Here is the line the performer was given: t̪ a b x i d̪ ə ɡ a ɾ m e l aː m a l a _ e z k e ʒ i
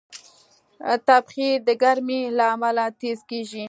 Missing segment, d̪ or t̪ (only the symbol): t̪